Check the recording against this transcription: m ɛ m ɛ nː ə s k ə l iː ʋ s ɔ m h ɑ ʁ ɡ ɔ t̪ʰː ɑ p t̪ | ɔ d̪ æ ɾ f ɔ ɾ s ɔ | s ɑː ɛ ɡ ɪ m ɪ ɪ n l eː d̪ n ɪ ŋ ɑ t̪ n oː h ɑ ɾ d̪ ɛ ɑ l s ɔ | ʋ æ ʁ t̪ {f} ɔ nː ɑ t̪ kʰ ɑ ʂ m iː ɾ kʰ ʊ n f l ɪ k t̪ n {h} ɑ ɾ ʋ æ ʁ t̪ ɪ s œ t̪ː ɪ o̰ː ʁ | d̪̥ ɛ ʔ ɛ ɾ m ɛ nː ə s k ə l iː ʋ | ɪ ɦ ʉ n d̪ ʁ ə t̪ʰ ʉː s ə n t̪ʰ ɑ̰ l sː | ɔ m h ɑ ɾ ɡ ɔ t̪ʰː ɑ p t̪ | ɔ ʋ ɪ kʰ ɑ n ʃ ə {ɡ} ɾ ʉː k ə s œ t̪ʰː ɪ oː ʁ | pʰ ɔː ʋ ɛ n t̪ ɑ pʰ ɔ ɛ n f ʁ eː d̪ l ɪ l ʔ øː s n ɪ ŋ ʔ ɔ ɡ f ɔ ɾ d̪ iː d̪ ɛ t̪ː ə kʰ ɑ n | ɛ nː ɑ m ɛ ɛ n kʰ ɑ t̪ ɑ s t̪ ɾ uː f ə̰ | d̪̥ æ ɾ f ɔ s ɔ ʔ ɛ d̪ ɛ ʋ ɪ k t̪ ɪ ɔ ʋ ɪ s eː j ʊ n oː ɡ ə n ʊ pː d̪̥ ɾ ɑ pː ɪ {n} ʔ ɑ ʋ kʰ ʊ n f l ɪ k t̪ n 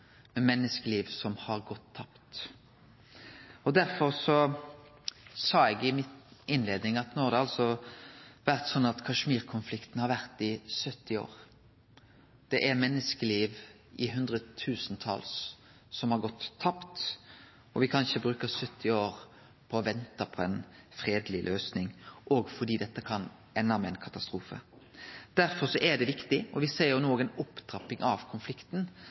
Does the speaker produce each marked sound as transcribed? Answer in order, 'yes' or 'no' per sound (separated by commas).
no, yes, no, no